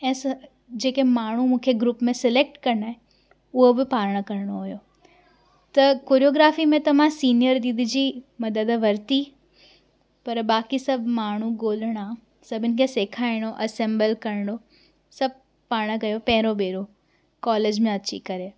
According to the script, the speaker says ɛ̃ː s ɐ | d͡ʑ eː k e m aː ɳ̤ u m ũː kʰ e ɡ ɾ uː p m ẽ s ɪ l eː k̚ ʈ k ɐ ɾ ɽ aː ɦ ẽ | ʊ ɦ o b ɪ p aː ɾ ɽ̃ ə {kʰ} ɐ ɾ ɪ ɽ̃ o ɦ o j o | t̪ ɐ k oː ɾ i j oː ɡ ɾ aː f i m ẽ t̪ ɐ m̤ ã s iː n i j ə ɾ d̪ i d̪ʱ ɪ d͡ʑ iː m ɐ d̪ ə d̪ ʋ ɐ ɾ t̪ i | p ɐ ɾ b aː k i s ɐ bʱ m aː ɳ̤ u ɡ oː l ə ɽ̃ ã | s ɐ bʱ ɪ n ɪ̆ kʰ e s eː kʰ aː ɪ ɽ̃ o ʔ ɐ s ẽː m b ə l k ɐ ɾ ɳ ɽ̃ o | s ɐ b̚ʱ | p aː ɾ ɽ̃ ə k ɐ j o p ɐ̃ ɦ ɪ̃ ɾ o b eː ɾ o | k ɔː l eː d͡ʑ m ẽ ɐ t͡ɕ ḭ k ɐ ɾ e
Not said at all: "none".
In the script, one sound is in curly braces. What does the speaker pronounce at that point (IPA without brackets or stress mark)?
k